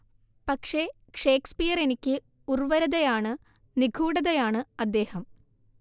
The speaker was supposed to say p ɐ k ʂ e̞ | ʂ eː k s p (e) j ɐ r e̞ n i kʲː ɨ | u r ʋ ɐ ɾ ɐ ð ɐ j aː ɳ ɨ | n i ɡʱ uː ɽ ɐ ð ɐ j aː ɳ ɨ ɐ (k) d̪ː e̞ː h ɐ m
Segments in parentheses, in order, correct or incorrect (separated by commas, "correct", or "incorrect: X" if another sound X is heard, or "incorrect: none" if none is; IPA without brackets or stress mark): incorrect: i, incorrect: none